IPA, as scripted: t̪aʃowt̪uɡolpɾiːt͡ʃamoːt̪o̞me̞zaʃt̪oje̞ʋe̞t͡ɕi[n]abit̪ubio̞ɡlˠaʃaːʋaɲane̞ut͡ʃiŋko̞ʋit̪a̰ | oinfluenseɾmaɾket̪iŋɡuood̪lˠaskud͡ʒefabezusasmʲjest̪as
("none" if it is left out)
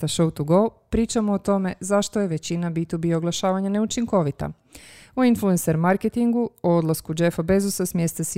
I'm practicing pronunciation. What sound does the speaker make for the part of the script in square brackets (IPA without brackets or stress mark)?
n